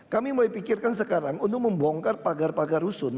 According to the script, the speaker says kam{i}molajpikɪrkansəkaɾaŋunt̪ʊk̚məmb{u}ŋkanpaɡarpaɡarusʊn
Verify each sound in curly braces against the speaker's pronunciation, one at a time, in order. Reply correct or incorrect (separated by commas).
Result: correct, incorrect